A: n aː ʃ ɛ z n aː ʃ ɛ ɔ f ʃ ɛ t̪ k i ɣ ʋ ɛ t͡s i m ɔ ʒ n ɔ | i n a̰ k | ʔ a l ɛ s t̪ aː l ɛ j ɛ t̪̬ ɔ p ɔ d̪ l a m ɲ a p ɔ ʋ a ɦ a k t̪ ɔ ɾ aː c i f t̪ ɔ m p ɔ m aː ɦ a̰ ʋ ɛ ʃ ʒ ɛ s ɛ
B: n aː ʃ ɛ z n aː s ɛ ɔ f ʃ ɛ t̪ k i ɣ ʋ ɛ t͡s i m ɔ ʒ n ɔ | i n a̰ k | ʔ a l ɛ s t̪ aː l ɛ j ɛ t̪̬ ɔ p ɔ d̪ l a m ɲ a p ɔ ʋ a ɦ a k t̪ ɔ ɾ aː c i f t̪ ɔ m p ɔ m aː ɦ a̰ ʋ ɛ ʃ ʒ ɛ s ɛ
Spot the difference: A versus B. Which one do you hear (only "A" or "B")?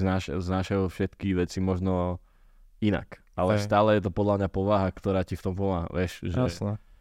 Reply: A